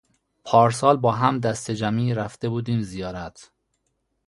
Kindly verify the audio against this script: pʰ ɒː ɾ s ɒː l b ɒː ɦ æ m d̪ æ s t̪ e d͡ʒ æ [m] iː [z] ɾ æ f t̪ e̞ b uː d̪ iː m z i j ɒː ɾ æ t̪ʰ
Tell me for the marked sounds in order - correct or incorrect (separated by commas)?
correct, incorrect